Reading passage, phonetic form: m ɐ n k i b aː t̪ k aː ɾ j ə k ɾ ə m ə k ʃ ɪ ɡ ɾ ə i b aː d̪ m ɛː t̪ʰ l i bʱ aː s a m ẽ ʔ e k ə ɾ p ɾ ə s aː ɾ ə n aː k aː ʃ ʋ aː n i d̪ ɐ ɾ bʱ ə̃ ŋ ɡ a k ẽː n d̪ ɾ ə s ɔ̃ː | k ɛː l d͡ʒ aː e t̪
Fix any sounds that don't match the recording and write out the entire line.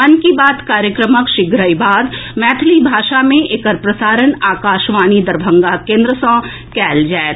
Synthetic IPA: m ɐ n k i b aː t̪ k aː ɾ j ə k ɾ ə m ə k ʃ ɪ ɡ ɾ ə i b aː d̪ m ɛː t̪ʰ l i bʱ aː ʃ a m ẽ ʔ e k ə ɾ p ɾ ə s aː ɾ ə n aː k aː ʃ ʋ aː n i d̪ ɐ ɾ bʱ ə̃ ŋ ɡ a k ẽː n d̪ ɾ ə s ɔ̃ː | k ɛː l d͡ʒ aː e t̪

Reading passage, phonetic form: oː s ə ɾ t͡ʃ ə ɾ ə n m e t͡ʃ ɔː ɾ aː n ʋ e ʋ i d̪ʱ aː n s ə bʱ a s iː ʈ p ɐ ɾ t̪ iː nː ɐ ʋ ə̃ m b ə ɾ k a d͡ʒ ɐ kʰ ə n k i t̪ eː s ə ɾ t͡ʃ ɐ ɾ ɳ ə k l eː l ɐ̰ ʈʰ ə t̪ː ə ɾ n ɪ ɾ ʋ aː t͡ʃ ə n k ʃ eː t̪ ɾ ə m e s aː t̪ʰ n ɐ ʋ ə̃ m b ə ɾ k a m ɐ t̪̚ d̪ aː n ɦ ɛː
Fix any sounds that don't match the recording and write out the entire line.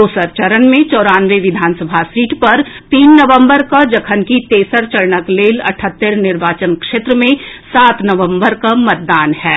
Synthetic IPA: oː s ə ɾ t͡ʃ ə ɾ ə n m ẽ t͡ʃ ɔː ɾ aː n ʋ e ʋ ɪ d̪ʱ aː n s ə bʱ a s iː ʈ p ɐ ɾ t̪ iː nː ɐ ʋ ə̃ m b ə ɾ k a d͡ʒ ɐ kʰ ə n k i t̪ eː s ə ɾ t͡ʃ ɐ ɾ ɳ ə k l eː l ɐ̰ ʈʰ ə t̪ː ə ɾ n ɪ ɾ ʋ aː t͡ʃ ə n k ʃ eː t̪ ɾ ə m ẽ s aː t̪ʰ n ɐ ʋ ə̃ m b ə ɾ k a m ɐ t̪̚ d̪ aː n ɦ ɛː

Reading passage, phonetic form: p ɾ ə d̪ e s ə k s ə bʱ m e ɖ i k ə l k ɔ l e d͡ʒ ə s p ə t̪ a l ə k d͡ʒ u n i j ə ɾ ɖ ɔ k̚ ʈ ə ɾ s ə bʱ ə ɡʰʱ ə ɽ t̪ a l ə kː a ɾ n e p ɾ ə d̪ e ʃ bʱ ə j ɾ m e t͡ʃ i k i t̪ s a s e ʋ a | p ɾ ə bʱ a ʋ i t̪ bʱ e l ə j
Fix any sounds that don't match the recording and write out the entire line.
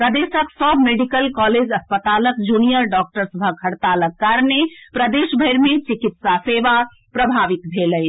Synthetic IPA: p ɾ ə d̪ e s ə k s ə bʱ m e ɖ i k ə l k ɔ l e d͡ʒ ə s p ə t̪ a l ə k d͡ʒ u n i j ə ɾ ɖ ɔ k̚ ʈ ə ɾ s ə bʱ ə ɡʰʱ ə ɽ t̪ a l ə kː a ɾ n e p ɾ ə d̪ e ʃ bʱ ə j ɾ m e t͡ʃ i k i t̪ s a s e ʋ a | p ɾ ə bʱ a ʋ i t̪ bʱ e l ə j

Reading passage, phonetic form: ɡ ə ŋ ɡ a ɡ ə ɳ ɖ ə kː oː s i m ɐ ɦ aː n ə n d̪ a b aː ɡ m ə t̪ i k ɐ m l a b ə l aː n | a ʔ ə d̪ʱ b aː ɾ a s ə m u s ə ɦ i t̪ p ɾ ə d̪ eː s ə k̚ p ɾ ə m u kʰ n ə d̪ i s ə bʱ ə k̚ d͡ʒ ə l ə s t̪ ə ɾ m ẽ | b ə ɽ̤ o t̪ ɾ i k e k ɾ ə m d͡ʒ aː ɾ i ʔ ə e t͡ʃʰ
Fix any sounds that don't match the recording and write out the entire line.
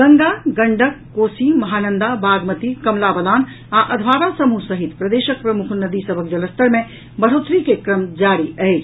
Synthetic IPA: ɡ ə ŋ ɡ a ɡ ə ɳ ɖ ə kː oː s i m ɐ ɦ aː n ə n d̪ a b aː ɡ m ə t̪ i k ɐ m l a b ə l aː n | a ʔ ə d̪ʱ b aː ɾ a s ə m u s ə ɦ i t̪ p ɾ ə d̪ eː ʃ ə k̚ p ɾ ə m u kʰ n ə d̪ i s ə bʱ ə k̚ d͡ʒ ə l ə s t̪ ə ɾ m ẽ | b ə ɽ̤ o t̪ ɾ i k e k ɾ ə m d͡ʒ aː ɾ i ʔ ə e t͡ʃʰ

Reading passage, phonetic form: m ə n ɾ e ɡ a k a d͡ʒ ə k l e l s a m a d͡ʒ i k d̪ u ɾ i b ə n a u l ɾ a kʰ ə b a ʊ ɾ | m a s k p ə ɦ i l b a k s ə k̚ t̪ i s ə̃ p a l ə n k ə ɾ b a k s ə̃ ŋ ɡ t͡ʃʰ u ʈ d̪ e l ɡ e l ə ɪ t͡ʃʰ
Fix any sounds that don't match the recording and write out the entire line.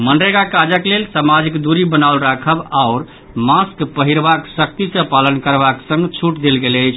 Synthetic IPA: m ə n ɾ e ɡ a k a d͡ʒ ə k l e l s a m a d͡ʒ i k d̪ u ɾ i b ə n a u l ɾ a kʰ ə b a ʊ ɾ | m a s k p ə ɦ i ɾ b a k s ə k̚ t̪ i s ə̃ p a l ə n k ə ɾ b a k s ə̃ ŋ ɡ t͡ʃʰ u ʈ d̪ e l ɡ e l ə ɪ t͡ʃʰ

